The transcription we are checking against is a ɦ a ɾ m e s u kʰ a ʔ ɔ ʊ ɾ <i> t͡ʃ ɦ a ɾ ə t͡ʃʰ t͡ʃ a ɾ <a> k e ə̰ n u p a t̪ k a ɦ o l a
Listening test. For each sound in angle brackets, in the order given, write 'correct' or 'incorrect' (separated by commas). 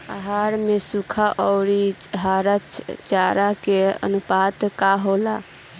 correct, correct